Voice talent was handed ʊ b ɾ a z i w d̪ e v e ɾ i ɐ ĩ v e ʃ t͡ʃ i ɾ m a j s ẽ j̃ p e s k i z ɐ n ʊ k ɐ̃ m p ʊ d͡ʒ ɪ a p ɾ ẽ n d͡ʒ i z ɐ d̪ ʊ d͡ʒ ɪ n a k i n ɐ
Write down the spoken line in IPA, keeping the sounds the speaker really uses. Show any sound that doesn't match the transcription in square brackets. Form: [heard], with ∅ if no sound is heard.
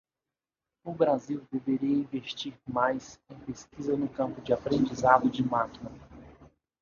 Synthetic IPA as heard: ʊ b ɾ a z i w d̪ e v e ɾ i ɐ ĩ v e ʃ t͡ʃ i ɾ m a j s ẽ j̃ p e s k i z ɐ n ʊ k ɐ̃ m p ʊ d͡ʒ ɪ a p ɾ ẽ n d͡ʒ i z [a] d̪ ʊ d͡ʒ ɪ [m] a k i n ɐ